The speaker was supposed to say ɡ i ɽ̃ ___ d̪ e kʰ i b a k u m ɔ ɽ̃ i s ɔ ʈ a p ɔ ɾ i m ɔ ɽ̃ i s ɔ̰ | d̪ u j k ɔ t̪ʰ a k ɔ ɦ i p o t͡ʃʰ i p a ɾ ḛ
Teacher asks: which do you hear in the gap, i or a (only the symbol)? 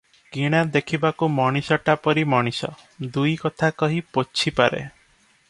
a